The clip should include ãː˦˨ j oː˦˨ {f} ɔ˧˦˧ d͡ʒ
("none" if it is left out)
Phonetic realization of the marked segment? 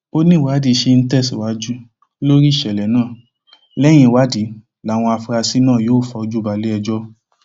f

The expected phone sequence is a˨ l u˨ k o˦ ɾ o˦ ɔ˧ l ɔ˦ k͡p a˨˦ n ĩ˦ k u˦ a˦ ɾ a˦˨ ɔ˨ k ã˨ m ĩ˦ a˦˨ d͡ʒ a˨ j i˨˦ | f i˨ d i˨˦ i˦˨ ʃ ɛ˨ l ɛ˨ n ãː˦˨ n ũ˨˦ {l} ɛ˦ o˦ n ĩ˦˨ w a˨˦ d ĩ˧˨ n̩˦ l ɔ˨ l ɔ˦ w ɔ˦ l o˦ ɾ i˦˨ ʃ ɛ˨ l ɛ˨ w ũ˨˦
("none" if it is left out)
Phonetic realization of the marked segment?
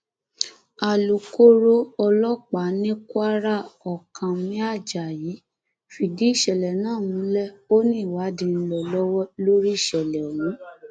l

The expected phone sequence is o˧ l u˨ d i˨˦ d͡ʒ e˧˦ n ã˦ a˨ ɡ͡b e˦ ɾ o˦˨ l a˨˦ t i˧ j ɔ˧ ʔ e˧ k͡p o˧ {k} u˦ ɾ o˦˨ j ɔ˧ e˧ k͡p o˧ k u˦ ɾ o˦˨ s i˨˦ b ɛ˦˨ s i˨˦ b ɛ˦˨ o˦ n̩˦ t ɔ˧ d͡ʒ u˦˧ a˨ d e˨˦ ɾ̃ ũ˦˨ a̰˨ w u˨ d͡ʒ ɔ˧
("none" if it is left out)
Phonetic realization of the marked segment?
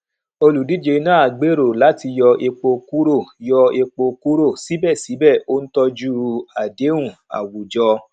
k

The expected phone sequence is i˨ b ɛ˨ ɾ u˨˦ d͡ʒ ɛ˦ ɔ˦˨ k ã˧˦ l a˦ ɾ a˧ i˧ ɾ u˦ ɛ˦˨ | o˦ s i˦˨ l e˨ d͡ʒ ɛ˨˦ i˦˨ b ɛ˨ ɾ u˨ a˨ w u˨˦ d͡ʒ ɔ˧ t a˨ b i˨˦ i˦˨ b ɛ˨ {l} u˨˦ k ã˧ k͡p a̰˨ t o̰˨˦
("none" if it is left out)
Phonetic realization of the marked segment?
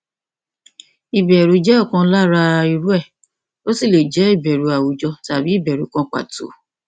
ɾ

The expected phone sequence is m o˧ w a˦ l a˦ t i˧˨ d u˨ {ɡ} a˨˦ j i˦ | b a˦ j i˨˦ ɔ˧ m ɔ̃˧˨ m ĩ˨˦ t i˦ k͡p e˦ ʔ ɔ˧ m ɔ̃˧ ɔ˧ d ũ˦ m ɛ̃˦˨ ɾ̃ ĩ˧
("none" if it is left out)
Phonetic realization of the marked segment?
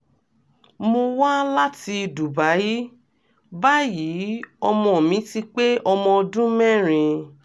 b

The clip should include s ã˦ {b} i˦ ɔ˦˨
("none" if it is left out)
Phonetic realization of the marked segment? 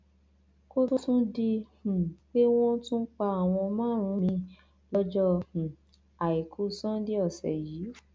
d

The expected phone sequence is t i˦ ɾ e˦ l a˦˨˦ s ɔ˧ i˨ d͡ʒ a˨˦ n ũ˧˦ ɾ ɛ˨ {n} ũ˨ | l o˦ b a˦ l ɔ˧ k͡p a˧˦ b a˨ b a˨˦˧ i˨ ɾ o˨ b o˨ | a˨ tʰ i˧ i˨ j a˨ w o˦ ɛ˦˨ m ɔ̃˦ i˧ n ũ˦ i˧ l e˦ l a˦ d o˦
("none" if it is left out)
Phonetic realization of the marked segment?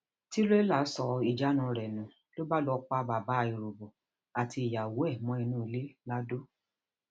n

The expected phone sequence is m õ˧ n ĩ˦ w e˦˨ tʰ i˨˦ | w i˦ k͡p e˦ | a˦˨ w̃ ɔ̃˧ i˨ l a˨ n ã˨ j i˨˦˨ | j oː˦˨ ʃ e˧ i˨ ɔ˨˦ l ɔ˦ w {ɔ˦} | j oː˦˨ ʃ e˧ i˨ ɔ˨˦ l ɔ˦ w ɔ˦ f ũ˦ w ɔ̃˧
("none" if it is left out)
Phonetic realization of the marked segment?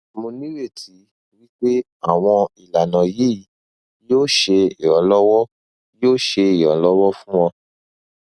ɔ˦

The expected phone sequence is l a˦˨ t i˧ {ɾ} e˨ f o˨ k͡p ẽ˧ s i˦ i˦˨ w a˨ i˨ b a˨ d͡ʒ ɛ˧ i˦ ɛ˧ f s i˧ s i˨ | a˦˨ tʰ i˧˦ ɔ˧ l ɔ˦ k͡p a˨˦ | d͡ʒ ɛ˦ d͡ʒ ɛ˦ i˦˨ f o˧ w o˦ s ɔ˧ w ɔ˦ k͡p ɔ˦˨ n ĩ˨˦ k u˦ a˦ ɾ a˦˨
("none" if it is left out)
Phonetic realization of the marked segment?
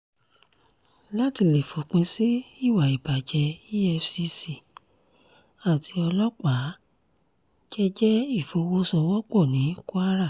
l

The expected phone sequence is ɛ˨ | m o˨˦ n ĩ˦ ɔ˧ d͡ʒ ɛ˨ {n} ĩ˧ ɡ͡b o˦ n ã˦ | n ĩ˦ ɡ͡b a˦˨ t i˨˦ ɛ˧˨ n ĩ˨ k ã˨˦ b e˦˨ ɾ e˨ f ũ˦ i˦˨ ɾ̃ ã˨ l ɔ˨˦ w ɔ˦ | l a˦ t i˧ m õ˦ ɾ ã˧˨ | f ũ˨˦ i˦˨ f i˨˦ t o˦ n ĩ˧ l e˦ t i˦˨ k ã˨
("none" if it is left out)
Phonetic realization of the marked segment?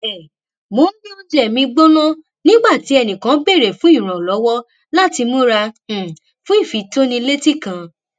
m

